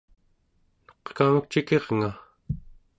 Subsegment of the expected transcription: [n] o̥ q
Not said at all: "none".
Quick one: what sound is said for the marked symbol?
n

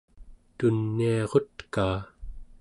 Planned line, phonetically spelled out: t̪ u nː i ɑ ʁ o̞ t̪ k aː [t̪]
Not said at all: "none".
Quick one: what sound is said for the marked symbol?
none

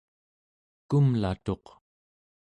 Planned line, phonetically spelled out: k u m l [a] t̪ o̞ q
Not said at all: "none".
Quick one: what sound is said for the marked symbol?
a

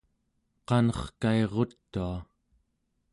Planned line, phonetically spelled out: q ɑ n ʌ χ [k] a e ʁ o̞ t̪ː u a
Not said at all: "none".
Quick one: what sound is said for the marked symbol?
k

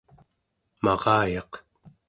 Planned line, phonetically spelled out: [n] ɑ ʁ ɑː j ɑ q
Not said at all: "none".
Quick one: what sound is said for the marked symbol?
m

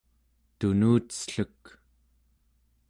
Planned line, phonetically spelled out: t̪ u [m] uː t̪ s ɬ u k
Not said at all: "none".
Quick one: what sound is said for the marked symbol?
n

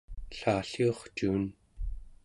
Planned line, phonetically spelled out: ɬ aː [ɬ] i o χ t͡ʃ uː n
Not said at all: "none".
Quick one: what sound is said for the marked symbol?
ɬ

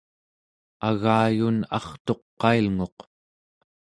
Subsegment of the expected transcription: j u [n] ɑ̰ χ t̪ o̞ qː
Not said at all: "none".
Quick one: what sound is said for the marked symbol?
n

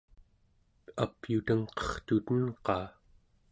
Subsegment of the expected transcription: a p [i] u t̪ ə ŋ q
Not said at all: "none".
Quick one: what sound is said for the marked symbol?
j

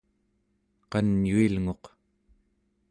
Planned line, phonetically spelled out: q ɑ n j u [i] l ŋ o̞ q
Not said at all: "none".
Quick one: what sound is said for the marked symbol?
i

